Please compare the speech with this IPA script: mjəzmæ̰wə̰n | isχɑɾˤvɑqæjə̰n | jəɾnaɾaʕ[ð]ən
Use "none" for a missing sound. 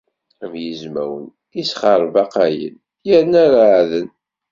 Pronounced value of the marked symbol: ð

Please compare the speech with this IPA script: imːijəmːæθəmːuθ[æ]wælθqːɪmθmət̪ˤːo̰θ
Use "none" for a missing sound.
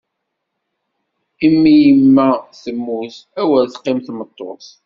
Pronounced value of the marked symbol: æ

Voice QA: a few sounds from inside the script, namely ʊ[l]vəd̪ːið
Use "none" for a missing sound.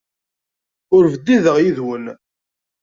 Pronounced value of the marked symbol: ɾ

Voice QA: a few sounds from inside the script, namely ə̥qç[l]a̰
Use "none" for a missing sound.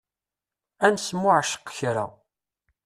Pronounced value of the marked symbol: ɾ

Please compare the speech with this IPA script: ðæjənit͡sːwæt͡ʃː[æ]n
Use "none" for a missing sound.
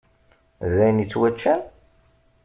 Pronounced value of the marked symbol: æ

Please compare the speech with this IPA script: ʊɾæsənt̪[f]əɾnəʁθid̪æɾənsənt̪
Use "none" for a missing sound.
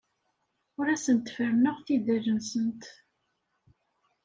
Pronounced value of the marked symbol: f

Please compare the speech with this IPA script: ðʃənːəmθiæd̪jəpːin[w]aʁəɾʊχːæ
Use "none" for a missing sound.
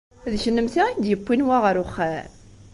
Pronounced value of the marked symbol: w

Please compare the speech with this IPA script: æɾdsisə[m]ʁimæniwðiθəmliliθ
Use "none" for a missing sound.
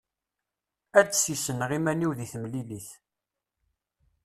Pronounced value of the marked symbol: n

